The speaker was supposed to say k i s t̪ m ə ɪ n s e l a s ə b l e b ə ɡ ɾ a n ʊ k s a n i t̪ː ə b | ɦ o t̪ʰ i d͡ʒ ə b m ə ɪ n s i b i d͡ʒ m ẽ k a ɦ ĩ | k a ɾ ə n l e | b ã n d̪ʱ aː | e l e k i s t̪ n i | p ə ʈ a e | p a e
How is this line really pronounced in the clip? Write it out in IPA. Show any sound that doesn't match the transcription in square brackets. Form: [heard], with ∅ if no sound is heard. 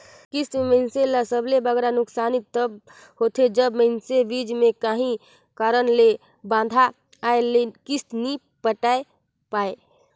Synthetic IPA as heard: k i s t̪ m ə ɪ n s e l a s ə b l e b ə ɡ ɾ a n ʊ k s a n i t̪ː ə b | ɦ o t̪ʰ [e] d͡ʒ ə b m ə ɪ n s [e] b i d͡ʒ m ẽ k a ɦ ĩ | k a ɾ ə n l e | b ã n d̪ʱ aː | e l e k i s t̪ n i | p ə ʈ a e | p a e

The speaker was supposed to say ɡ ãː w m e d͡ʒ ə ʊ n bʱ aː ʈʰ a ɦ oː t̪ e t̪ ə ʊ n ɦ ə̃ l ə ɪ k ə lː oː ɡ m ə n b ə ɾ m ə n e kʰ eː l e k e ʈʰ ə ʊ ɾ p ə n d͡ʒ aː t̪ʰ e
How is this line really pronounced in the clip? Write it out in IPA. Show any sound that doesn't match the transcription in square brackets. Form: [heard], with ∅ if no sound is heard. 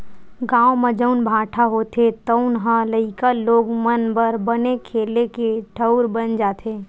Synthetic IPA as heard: ɡ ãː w m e d͡ʒ ə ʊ n bʱ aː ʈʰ a ɦ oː t̪ e t̪ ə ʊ n ɦ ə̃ l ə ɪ k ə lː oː ɡ m ə n b ə ɾ [b] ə n e kʰ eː l e k e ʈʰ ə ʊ ɾ [b] ə n d͡ʒ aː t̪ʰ e

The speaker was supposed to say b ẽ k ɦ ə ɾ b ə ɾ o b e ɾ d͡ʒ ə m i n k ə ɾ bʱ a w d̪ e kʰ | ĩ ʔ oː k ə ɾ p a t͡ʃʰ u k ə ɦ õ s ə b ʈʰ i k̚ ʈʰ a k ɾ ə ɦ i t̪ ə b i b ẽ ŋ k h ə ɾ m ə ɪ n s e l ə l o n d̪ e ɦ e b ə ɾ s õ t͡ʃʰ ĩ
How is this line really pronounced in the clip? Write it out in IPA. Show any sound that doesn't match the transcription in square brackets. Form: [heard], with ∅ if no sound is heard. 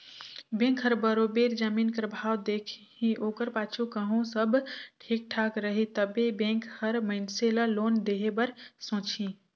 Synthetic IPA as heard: b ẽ k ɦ ə ɾ b ə ɾ o b e ɾ d͡ʒ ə m i n k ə ɾ bʱ a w d̪ e kʰ | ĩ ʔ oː k ə ɾ p a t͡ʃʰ u k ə ɦ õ s ə b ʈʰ i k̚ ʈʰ a k ɾ ə ɦ i t̪ ə b [e] b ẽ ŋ k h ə ɾ m ə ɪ n s e l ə l o n d̪ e ɦ e b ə ɾ s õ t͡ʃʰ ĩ

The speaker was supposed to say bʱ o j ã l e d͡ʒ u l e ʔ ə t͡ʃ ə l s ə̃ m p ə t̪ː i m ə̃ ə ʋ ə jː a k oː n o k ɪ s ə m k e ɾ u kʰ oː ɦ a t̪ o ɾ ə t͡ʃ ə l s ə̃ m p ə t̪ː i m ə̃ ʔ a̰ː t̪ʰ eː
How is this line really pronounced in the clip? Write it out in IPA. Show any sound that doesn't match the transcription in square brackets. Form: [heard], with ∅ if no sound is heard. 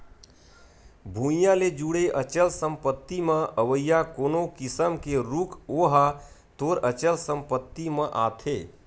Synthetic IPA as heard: bʱ [u] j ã l e d͡ʒ u [ɽ] e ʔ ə t͡ʃ ə l s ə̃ m p ə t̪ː i m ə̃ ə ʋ ə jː a k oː n o k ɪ s ə m k e ɾ u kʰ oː ɦ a t̪ o ɾ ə t͡ʃ ə l s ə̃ m p ə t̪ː i m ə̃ ʔ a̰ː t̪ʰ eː

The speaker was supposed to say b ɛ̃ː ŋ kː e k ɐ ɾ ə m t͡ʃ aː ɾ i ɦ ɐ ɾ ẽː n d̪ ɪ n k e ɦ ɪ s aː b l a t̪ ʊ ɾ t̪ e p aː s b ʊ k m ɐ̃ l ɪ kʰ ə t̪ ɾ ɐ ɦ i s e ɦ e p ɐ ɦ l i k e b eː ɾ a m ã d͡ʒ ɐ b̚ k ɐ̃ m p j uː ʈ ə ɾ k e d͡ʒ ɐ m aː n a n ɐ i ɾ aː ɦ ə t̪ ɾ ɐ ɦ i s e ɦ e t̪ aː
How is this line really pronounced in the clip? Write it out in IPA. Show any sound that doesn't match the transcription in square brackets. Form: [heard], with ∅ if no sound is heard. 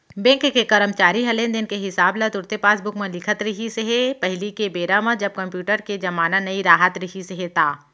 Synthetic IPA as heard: b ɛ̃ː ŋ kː e k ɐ ɾ ə m t͡ʃ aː ɾ i ɦ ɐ [l] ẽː n d̪ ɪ n k e ɦ ɪ s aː b l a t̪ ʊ ɾ t̪ e p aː s b ʊ k m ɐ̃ l ɪ kʰ ə t̪ ɾ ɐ ɦ i s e ɦ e p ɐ ɦ l i k e b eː ɾ a m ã d͡ʒ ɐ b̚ k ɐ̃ m p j uː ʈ ə ɾ k e d͡ʒ ɐ m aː n a n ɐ i ɾ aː ɦ ə t̪ ɾ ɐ ɦ i s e ɦ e t̪ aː

